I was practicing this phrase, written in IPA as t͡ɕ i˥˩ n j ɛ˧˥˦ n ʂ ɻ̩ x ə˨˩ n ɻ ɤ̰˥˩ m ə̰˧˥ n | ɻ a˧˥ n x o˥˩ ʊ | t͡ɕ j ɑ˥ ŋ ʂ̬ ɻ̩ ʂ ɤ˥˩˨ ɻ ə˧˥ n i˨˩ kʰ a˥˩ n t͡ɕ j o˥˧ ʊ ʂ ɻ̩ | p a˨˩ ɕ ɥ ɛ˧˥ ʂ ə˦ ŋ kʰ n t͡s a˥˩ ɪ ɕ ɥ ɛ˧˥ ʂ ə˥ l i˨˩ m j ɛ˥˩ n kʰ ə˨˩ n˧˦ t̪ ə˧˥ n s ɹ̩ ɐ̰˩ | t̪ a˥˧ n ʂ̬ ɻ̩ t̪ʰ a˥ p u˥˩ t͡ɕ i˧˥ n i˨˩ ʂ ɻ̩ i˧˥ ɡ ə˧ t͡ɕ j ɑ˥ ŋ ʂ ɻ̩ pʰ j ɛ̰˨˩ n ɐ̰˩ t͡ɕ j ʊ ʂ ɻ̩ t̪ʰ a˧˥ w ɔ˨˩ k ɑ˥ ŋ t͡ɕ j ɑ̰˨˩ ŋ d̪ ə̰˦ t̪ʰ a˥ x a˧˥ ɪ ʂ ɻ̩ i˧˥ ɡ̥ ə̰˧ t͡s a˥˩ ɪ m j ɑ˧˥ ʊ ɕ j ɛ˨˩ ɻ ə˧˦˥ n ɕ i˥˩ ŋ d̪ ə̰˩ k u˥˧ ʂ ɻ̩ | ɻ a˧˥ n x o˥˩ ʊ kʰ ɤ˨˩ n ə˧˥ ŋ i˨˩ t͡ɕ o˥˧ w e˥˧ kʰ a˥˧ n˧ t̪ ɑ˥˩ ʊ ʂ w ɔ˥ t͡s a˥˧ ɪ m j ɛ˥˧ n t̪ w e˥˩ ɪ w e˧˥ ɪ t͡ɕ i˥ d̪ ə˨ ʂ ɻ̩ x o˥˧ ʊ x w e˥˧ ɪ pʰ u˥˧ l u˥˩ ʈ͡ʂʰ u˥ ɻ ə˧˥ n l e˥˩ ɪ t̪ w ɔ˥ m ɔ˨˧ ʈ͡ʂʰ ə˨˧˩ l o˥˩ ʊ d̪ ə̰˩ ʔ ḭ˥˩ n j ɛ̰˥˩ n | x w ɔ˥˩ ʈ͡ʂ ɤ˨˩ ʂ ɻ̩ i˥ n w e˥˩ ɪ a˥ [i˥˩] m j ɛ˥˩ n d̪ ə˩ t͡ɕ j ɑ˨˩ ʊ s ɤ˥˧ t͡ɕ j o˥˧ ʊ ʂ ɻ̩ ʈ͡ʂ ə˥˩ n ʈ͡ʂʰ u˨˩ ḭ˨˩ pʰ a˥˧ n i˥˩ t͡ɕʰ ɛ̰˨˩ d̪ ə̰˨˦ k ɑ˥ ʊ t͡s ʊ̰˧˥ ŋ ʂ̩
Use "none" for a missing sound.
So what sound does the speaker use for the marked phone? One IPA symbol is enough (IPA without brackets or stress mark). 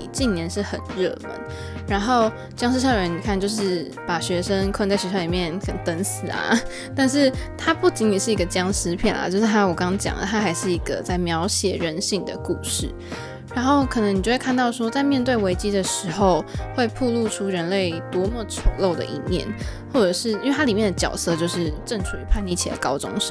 i˨˩